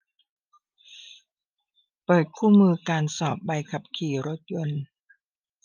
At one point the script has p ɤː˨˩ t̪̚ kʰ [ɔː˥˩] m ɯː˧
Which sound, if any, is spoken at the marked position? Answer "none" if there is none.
uː˥˩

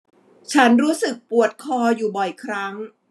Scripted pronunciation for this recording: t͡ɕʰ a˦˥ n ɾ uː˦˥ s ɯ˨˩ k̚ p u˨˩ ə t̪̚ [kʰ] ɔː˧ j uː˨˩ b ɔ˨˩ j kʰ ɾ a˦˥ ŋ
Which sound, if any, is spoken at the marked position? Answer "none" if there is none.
kʰ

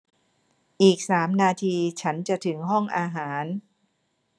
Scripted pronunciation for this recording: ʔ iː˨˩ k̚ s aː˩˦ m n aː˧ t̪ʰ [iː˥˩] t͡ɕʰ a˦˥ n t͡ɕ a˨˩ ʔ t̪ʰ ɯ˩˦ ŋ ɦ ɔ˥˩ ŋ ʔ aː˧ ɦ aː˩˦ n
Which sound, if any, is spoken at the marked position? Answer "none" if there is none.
iː˧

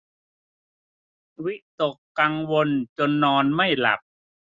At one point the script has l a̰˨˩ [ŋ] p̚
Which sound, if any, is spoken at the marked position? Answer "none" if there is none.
none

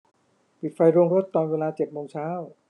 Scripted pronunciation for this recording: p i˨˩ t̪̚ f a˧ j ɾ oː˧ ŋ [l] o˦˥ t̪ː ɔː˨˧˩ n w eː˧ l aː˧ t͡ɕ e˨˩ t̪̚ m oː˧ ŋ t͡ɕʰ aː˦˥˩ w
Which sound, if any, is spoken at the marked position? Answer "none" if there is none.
ɾ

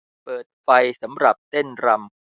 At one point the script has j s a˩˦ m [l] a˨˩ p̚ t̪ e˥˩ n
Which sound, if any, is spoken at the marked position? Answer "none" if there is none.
ɾ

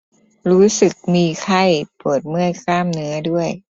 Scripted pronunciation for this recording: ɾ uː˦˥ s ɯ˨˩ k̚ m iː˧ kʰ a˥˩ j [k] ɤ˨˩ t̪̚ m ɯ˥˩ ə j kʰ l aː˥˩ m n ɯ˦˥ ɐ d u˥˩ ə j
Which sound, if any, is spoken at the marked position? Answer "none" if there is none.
p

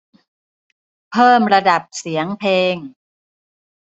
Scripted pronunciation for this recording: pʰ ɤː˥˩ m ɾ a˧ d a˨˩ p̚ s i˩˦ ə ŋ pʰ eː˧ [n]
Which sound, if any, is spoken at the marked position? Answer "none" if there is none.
ŋ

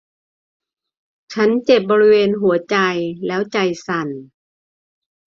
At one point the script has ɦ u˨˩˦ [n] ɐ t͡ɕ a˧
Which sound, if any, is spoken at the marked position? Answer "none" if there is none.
none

